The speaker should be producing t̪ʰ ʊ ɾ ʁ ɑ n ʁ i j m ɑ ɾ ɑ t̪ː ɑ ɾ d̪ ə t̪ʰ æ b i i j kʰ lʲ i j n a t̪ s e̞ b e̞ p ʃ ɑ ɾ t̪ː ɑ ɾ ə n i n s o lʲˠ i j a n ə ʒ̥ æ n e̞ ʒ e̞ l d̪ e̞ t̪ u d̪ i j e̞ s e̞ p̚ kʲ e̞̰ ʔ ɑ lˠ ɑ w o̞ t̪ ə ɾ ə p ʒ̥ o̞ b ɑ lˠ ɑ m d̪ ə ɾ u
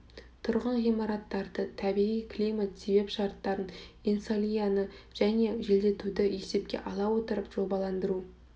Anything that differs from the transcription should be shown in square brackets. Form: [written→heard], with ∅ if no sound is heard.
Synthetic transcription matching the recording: t̪ʰ ʊ ɾ ʁ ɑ n ʁ i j m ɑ ɾ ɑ t̪ː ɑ ɾ d̪ ə t̪ʰ æ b i i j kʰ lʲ i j [n→m] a t̪ s e̞ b e̞ p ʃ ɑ ɾ t̪ː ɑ ɾ ə n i n s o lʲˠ i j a n ə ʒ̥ æ n e̞ ʒ e̞ l d̪ e̞ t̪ u d̪ [i→ɪ] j e̞ s e̞ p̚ kʲ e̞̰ ʔ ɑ lˠ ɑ w o̞ t̪ ə ɾ ə p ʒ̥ o̞ b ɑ lˠ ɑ [m→n] d̪ ə ɾ u